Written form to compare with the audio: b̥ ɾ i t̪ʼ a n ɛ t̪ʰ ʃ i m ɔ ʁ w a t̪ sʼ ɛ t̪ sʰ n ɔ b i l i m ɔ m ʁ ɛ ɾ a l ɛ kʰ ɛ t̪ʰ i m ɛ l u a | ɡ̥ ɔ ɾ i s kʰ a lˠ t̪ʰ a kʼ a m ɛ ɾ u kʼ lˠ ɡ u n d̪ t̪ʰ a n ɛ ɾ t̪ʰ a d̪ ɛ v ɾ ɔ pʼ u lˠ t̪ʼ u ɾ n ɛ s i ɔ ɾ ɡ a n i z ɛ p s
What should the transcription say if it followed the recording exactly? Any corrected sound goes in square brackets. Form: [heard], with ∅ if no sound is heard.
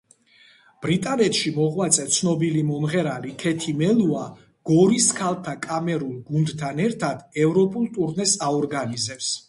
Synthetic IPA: b̥ ɾ i t̪ʼ a n ɛ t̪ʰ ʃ i m ɔ ʁ w a t̪ sʼ ɛ t̪ sʰ n ɔ b i l i m ɔ m ʁ ɛ ɾ a l [i] kʰ ɛ t̪ʰ i m ɛ l u a | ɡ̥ ɔ ɾ i s kʰ a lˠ t̪ʰ a kʼ a m ɛ ɾ u [∅] lˠ ɡ u n d̪ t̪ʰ a n ɛ ɾ t̪ʰ a d̪ ɛ v ɾ ɔ pʼ u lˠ t̪ʼ u ɾ n ɛ s [a] ɔ ɾ ɡ a n i z ɛ p s